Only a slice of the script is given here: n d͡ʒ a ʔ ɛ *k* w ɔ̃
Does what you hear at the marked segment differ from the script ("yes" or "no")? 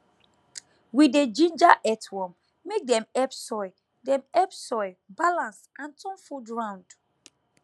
yes